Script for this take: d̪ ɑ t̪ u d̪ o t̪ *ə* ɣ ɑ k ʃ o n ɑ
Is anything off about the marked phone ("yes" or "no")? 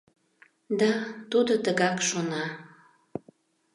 no